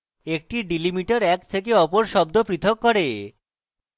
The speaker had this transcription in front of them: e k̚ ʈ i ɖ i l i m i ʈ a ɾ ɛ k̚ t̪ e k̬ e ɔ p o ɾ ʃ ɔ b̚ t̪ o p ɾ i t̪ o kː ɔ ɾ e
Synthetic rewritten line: e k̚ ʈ i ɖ i l i m i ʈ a ɾ ɛ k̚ t̪ʰ e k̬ e ɔ p o ɾ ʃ ɔ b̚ d̪ o p ɾ i t̪ʰ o kː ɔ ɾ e